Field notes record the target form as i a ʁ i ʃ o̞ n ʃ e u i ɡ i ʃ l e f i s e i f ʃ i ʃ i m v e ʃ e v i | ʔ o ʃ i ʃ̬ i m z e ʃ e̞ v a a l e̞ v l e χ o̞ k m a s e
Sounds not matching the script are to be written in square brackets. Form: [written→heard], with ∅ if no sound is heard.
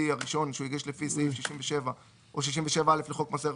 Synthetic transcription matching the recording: i a ʁ i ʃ o̞ n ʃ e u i ɡ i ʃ l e f i s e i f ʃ i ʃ i m v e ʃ e v [i→a] | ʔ o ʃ i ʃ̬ i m [z→v] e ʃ e̞ v a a l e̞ [v→f] l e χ o̞ k m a s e